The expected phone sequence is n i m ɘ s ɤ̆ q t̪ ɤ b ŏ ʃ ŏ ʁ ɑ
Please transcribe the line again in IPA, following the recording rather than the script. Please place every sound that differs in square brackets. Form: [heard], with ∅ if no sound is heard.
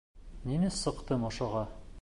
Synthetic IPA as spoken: n i [n] ɘ s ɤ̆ q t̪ ɤ [m] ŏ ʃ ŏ ʁ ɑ